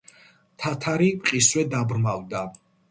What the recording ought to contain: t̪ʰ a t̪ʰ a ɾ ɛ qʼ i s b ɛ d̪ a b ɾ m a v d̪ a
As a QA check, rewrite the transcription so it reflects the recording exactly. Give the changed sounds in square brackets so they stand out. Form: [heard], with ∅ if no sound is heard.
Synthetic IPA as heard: t̪ʰ a t̪ʰ a ɾ [i] qʼ i s [w] ɛ d̪ a b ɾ m a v d̪ a